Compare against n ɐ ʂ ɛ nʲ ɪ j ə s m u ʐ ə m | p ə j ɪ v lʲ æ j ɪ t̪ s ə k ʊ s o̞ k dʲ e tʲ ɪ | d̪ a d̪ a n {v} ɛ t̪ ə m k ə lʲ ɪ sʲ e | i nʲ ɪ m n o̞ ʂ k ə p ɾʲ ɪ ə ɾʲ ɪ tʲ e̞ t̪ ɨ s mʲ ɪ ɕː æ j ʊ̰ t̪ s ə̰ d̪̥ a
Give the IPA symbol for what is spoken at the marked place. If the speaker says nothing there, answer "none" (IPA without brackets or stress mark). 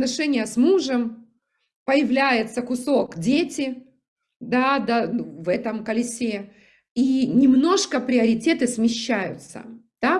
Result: v